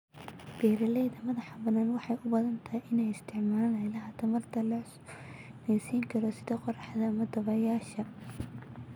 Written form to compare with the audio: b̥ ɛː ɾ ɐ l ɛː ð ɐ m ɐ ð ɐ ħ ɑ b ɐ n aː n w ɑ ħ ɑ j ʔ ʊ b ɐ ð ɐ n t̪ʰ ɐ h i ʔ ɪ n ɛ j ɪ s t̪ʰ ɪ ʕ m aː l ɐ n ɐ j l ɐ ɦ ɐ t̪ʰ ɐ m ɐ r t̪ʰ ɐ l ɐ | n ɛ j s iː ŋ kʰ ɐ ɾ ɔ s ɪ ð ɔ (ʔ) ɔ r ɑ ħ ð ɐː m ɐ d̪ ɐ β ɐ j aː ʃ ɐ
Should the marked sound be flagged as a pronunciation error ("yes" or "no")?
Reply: yes